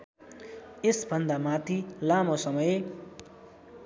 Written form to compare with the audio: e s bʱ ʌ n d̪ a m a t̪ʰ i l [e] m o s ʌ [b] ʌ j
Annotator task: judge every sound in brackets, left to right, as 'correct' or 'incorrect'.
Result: incorrect: a, incorrect: m

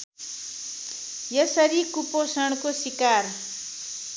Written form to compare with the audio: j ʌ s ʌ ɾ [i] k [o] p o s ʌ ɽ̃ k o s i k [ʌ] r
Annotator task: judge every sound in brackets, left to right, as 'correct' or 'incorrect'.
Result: correct, incorrect: u, incorrect: a

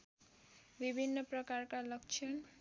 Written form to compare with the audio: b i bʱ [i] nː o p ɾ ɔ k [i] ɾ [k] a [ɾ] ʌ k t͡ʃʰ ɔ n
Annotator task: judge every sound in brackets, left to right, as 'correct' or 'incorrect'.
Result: correct, incorrect: a, correct, incorrect: l

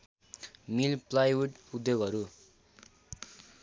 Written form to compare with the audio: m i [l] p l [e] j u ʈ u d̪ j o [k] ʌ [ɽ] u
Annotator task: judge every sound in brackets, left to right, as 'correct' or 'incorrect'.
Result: correct, incorrect: a, incorrect: ɡ, incorrect: ɾ

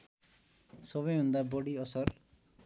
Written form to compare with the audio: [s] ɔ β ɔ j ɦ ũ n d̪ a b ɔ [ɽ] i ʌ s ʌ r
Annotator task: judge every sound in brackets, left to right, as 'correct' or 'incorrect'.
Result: correct, correct

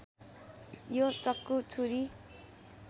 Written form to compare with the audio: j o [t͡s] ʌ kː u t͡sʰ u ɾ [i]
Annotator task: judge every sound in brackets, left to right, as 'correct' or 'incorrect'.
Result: correct, correct

